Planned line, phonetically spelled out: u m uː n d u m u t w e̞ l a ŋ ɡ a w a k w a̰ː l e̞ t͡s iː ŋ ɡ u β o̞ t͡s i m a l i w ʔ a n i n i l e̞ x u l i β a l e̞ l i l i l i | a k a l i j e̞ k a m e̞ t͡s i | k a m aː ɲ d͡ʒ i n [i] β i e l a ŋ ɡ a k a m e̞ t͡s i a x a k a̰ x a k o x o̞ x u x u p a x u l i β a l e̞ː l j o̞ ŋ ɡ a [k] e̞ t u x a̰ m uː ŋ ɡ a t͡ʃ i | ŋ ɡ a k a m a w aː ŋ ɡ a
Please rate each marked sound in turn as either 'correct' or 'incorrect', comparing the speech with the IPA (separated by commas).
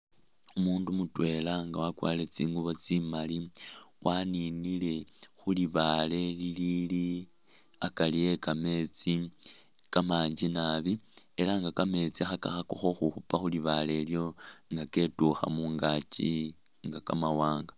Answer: incorrect, correct